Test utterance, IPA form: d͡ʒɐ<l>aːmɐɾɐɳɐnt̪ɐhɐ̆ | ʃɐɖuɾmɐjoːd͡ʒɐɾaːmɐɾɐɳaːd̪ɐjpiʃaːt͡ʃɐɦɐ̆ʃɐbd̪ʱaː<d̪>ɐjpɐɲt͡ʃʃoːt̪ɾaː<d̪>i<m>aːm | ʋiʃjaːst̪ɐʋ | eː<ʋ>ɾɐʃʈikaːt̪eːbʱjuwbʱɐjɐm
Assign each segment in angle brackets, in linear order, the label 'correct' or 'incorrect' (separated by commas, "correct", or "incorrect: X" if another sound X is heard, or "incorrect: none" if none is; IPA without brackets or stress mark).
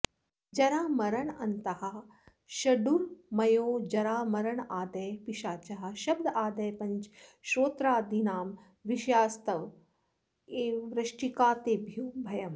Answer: incorrect: ɾ, correct, correct, incorrect: n, correct